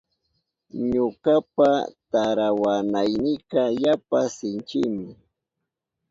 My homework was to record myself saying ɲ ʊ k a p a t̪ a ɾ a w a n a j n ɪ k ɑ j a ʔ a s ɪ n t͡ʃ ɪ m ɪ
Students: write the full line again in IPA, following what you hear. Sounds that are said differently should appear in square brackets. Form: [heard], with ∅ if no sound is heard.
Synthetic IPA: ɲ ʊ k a p a t̪ a ɾ a w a n a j n ɪ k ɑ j a [p] a s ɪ n t͡ʃ ɪ m ɪ